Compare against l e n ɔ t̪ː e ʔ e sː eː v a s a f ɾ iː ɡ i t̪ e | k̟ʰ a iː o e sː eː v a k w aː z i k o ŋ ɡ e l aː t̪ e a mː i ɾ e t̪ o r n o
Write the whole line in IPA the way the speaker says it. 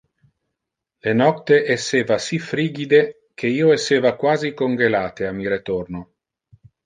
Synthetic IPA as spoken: l e n ɔ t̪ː e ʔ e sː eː v a s i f ɾ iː ɡ i d̪ e | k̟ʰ e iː o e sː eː v a k w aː z i k o ŋ ɡ e l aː t̪ e a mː i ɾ e t̪ o r n o